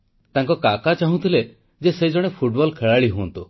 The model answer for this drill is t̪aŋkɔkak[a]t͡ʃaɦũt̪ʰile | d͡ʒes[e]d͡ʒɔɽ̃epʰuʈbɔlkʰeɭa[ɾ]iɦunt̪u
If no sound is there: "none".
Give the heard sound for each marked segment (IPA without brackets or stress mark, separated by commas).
a, e, ɭ